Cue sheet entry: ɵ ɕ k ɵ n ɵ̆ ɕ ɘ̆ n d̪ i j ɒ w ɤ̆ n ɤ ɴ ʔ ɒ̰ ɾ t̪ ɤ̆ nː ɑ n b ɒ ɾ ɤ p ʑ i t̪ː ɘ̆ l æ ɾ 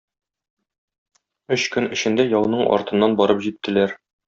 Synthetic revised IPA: ɵ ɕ k ɵ n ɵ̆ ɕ ɘ̆ n d̪ æ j ɒ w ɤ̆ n ɤ ɴ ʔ ɒ̰ ɾ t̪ ɤ̆ nː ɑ n b ɒ ɾ ɤ p ʑ i t̪ː ɘ̆ l æ ɾ

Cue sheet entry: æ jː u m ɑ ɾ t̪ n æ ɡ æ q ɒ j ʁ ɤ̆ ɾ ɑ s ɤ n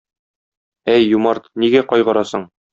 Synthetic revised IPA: æ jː u m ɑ ɾ t̪ n i ɡ æ q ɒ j ʁ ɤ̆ ɾ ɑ s ɤ ɴ

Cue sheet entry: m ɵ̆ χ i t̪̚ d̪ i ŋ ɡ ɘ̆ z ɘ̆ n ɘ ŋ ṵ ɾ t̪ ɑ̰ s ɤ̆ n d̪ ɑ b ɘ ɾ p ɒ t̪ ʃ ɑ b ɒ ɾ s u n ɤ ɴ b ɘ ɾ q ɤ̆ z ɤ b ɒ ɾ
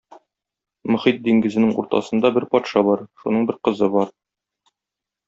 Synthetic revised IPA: m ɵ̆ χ i t̪̚ d̪ i ŋ ɡ ɘ̆ z ɘ̆ n ɘ ŋ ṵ ɾ t̪ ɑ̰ s ɤ̆ n d̪ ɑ b ɘ ɾ p ɒ t̪ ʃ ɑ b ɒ ɾ ʃ u n ɤ ɴ b ɘ ɾ q ɤ̆ z ɤ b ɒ ɾ

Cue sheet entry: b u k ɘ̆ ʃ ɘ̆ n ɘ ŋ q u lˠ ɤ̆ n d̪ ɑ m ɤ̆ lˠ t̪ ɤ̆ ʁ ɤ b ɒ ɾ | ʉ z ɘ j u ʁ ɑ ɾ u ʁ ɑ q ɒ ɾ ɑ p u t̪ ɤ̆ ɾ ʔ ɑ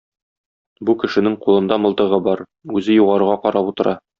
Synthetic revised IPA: b u k ɘ̆ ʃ ɘ̆ n ɘ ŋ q u lˠ ɤ̆ n d̪ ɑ m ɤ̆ lˠ t̪ ɤ̆ ʁ ɤ b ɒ ɾ | ʉ z ɘ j u ʁ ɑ ɾ u ʁ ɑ q ɒ ɾ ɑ p u t̪ ɤ̆ ɾ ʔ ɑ

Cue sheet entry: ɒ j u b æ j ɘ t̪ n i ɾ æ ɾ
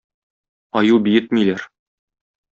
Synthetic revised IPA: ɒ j u b i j ɘ t̪ m i l æ ɾ

